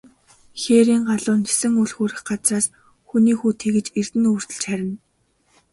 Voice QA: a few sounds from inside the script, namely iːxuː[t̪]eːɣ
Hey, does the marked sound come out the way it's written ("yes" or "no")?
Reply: no